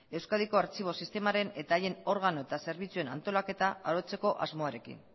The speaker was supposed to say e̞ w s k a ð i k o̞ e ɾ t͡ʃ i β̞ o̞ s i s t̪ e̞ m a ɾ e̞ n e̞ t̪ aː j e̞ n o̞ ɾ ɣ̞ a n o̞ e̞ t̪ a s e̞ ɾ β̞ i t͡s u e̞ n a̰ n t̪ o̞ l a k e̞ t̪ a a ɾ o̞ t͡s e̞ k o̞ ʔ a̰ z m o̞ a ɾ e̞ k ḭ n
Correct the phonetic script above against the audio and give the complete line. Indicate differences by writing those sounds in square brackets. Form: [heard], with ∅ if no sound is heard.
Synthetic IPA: e̞ w s k a ð i k o̞ [a] ɾ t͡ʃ i β̞ o̞ s i s t̪ e̞ m a ɾ e̞ n e̞ t̪ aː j e̞ n o̞ ɾ ɣ̞ a n o̞ e̞ t̪ a s e̞ ɾ β̞ i t͡s u e̞ n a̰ n t̪ o̞ l a k e̞ t̪ a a ɾ o̞ t͡s e̞ k o̞ ʔ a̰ z m o̞ a ɾ e̞ k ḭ n